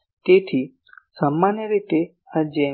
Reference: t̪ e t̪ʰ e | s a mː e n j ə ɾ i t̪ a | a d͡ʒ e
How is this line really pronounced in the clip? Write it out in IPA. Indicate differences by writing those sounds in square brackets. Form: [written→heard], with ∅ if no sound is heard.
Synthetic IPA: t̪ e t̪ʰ [e→i] | s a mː [e→a] n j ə ɾ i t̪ [a→e] | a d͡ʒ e

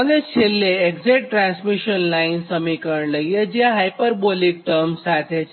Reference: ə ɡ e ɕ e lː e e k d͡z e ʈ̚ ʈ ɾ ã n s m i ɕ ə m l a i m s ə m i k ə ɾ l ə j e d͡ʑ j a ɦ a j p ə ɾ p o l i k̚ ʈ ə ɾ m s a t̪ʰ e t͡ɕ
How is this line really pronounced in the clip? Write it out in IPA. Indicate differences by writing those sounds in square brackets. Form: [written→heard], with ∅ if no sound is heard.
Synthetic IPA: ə ɡ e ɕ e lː e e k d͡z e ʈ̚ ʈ ɾ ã n s m i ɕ ə [m→n] l a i [m→n] s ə m i k ə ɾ l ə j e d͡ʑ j a ɦ a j p ə ɾ [p→b] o l i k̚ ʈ ə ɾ m s a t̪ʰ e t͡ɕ

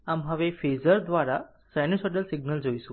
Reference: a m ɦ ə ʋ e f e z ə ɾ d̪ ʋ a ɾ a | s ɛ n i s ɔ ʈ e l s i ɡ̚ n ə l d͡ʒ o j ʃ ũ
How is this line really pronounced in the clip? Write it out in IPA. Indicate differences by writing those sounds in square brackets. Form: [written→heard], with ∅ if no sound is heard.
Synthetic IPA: a m ɦ ə ʋ e f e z ə ɾ d̪ ʋ a ɾ a | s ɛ n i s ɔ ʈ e l s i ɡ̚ n ə l d͡ʒ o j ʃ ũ

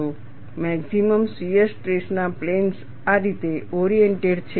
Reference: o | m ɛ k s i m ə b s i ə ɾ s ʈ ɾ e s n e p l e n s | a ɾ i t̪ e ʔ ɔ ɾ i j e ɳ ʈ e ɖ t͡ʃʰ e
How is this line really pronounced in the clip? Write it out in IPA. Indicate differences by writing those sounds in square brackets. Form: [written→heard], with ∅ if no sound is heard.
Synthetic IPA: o | m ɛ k s i m ə [b→m] s i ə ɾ s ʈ ɾ e s n [e→a] p l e n s | a ɾ i t̪ e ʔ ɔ ɾ i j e ɳ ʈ e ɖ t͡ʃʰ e

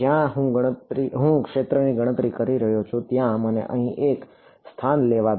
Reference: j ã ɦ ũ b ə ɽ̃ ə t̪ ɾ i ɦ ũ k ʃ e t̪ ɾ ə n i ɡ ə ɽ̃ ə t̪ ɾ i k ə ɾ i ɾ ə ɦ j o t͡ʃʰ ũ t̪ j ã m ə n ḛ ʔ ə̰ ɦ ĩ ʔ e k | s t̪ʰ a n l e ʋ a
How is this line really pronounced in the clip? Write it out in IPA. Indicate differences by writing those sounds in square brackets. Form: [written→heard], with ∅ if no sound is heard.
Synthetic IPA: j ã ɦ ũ [b→ɡ] ə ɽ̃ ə t̪ ɾ i ɦ ũ k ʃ e t̪ ɾ ə n i ɡ ə ɽ̃ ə t̪ ɾ i k ə ɾ i ɾ ə ɦ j o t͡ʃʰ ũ t̪ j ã m ə n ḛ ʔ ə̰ ɦ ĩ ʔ e k | s t̪ʰ a n l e ʋ a

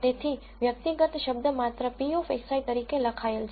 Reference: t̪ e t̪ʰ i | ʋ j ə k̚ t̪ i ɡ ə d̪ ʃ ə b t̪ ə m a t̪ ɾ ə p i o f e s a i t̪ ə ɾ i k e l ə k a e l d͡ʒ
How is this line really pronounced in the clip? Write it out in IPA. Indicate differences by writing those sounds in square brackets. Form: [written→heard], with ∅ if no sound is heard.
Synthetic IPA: t̪ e t̪ʰ i | ʋ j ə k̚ t̪ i ɡ ə [d̪→t̪] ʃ ə b [t̪→d̪] ə m a t̪ ɾ ə p i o f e s a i t̪ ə ɾ i k e l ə [k→kʰ] a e l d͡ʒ

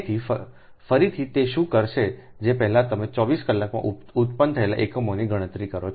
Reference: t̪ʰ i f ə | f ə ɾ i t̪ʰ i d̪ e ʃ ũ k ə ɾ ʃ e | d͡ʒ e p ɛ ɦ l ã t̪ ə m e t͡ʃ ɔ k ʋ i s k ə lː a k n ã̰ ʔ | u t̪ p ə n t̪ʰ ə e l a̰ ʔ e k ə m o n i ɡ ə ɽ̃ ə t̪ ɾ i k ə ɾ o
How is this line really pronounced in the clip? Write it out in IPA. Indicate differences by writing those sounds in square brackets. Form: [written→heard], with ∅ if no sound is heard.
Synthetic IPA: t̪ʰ i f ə | f ə ɾ i t̪ʰ i [d̪→t̪] e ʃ ũ k ə ɾ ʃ e | d͡ʒ e p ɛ ɦ l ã t̪ ə m e t͡ʃ ɔ [k→∅] ʋ i s k ə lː a k [n→m] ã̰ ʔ | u t̪ p ə n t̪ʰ ə e l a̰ ʔ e k ə m o n i ɡ ə ɽ̃ ə t̪ ɾ i k ə ɾ o

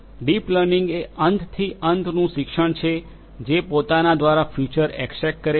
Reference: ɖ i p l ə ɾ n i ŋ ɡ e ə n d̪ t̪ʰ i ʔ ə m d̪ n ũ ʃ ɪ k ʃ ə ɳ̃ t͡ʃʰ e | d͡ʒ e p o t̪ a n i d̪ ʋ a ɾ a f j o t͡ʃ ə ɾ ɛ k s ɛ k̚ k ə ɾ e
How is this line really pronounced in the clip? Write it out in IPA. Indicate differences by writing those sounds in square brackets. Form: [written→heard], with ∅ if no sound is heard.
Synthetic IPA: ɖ i p l ə ɾ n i ŋ ɡ e ə n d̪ t̪ʰ i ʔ ə [m→n] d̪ n ũ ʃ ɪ k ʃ ə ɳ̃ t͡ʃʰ e | d͡ʒ e p o t̪ a n [i→a] d̪ ʋ a ɾ a f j [o→u] t͡ʃ ə ɾ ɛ k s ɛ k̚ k ə ɾ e

